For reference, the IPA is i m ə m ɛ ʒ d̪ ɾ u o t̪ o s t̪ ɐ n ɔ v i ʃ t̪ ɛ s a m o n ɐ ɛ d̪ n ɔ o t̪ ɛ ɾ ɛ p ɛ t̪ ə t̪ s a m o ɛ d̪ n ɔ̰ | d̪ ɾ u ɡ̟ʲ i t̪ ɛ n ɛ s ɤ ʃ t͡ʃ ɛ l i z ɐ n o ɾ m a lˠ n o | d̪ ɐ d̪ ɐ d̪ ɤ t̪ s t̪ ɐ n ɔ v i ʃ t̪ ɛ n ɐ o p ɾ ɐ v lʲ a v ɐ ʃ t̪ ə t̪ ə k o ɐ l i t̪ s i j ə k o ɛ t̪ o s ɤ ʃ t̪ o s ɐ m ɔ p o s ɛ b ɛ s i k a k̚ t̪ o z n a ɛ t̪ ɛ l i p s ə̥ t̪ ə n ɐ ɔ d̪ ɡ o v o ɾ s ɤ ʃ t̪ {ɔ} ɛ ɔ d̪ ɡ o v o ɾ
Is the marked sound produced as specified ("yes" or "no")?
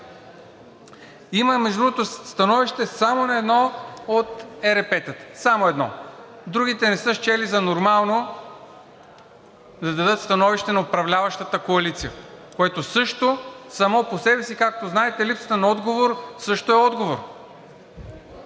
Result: no